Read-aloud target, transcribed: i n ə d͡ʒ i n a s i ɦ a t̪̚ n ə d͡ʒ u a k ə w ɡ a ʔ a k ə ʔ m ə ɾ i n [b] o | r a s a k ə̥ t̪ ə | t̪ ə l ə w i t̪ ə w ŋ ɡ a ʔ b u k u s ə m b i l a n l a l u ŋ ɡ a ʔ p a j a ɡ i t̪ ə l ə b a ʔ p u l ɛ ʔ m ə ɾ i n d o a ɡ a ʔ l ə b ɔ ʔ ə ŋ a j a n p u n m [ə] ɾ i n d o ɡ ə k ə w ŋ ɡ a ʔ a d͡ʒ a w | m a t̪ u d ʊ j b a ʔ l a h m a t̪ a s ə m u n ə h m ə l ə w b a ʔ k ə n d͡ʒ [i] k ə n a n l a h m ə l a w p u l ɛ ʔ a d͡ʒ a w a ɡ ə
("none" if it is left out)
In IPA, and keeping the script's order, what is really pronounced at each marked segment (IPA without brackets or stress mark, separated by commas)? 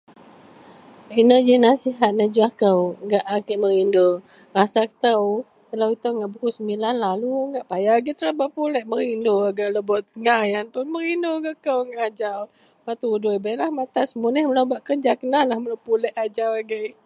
d, ə, a